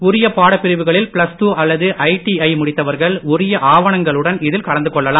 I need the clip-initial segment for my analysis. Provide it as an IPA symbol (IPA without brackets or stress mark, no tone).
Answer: ʊ